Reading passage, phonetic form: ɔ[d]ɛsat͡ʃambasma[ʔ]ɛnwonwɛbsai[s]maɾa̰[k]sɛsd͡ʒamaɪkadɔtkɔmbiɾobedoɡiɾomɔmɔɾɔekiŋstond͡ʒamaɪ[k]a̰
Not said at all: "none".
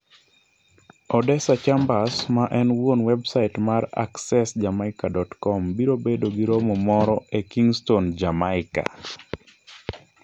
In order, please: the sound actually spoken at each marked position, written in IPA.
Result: d, ʔ, t, k, k

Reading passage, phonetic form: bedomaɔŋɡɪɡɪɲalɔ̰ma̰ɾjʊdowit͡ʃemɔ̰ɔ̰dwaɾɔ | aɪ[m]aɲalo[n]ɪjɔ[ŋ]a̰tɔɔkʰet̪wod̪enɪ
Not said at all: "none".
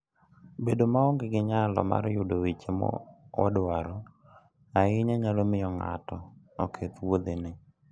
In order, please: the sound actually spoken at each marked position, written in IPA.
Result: ɲ, m, ŋ

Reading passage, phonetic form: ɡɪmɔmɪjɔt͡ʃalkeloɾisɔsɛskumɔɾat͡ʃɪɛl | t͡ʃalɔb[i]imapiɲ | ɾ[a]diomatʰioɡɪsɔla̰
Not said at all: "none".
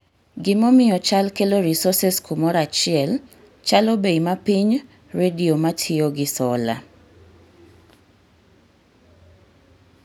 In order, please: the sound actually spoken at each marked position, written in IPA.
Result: e, e

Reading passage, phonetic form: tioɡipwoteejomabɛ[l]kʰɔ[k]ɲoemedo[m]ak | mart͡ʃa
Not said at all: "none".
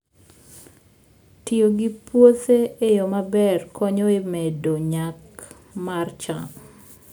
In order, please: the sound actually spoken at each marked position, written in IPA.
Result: r, none, ɲ

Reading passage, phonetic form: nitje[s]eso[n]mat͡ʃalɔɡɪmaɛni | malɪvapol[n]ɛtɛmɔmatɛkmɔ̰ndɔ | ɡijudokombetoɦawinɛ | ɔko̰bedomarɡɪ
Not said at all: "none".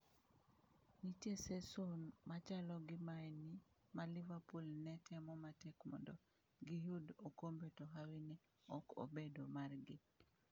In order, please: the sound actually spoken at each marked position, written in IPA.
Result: s, n, n

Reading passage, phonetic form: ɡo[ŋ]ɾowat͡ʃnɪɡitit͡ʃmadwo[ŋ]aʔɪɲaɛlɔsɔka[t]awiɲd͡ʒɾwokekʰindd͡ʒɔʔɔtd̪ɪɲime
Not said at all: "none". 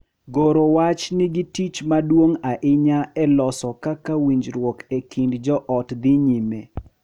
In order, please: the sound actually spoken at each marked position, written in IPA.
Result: none, ŋ, k

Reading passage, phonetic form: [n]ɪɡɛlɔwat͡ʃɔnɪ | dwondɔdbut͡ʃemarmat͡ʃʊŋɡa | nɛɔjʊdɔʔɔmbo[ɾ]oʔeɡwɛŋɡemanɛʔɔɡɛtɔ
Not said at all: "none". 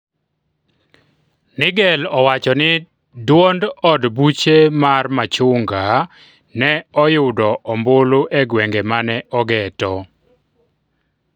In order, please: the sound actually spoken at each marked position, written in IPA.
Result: n, l

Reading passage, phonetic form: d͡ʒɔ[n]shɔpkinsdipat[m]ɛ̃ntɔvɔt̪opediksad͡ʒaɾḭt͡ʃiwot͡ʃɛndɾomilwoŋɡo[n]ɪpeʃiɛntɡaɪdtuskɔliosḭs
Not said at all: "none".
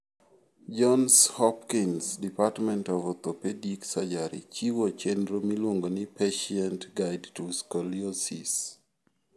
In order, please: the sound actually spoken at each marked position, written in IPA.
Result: n, m, n

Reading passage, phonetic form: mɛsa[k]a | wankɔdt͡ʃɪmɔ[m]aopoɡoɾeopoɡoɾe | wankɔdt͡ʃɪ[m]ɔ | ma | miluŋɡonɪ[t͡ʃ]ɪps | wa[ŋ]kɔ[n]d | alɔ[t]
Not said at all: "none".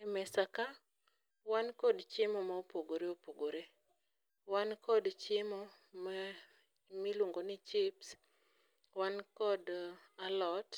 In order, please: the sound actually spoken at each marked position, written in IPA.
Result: k, m, m, t͡ʃ, n, none, t

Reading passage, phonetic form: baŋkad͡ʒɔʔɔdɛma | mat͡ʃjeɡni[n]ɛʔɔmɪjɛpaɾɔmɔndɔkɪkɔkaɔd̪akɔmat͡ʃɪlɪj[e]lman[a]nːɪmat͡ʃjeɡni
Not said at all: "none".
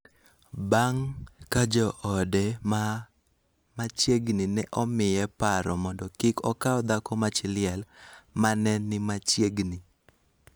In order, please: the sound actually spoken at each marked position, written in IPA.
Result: n, ɛ, ɛ

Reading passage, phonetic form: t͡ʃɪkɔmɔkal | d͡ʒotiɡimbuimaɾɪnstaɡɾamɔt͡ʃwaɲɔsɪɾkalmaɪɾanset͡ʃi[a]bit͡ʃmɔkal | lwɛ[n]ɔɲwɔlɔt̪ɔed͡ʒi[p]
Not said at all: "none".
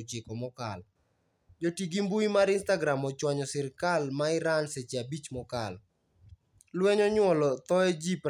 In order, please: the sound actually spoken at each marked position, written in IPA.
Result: a, ɲ, p

